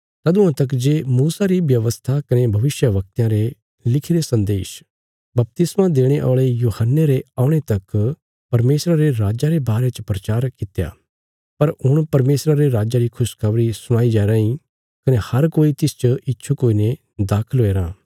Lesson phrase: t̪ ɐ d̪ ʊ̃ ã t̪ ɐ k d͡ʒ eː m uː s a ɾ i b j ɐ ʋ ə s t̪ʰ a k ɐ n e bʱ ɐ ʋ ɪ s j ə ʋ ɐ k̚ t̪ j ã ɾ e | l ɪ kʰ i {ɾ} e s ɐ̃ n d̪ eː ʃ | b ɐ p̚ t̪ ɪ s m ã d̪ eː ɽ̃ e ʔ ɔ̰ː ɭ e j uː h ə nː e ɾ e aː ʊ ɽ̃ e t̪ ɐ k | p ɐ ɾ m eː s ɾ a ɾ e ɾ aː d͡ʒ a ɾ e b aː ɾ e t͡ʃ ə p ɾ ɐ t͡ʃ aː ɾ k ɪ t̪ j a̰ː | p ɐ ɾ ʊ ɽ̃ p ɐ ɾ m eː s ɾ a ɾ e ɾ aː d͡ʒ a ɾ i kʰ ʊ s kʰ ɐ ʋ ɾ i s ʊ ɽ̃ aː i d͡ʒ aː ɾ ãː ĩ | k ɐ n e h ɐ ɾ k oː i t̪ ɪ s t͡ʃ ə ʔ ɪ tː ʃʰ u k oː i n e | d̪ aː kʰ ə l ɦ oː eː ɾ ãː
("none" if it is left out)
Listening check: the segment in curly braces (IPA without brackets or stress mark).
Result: ɾ